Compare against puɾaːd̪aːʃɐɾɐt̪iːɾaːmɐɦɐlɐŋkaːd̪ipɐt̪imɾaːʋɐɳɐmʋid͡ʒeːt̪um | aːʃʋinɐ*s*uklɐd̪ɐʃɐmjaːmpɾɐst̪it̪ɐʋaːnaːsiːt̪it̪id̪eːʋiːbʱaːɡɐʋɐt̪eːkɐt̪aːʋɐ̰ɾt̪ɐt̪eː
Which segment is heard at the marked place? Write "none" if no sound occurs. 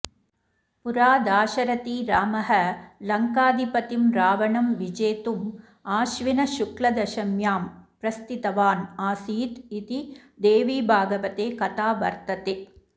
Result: ʃ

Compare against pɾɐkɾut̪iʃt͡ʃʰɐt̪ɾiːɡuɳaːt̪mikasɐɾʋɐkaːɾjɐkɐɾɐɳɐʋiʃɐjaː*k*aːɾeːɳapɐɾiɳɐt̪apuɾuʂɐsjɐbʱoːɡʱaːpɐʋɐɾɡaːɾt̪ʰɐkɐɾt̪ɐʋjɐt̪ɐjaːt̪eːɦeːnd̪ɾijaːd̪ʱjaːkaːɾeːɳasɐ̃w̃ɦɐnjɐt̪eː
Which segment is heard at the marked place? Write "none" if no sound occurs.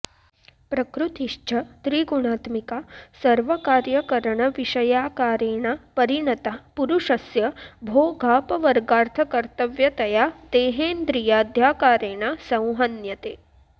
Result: k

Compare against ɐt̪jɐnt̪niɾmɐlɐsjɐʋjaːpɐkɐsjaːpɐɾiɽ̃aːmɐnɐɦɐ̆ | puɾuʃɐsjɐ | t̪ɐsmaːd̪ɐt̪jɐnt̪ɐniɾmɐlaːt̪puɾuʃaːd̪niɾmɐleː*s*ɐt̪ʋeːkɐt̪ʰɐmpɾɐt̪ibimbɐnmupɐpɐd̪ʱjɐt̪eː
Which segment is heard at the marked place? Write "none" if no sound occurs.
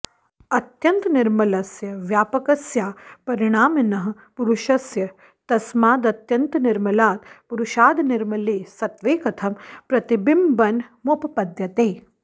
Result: s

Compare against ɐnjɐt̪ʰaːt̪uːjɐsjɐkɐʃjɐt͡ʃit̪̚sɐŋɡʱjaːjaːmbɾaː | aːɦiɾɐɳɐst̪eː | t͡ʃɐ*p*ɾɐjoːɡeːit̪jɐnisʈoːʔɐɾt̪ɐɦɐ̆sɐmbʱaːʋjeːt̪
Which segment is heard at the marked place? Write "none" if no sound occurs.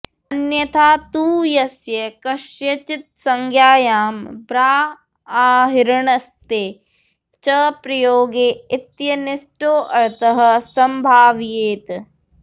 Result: p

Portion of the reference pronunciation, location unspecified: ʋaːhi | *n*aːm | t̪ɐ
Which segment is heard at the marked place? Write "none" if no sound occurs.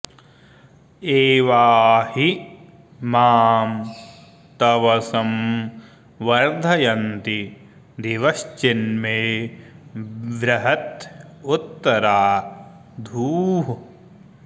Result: m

